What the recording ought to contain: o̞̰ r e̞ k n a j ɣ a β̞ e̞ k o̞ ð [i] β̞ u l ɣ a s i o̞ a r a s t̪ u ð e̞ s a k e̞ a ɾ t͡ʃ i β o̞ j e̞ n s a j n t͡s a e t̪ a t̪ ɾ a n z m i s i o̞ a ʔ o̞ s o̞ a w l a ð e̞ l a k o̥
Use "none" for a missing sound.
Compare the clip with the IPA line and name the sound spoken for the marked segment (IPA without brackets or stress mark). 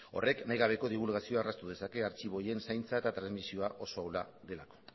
i